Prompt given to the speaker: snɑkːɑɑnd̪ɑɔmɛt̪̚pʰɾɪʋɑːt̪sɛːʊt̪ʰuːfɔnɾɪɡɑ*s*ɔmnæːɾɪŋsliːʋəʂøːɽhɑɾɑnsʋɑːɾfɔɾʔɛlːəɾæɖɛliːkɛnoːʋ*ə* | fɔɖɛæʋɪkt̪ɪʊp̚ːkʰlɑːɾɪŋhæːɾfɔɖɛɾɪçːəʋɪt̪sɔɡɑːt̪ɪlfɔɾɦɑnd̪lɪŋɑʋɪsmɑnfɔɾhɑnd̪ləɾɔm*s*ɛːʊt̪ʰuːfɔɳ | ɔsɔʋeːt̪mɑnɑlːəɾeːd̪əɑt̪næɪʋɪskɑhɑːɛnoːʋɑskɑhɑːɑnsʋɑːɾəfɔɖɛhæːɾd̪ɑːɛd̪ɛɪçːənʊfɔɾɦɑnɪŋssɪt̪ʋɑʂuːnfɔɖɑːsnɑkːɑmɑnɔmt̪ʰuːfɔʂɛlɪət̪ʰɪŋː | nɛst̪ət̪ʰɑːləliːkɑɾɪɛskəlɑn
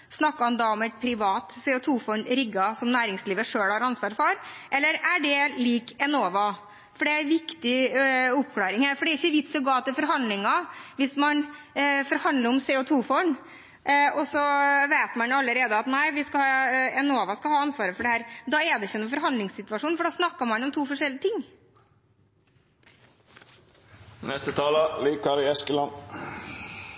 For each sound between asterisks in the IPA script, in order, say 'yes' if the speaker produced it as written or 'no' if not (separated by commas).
yes, no, yes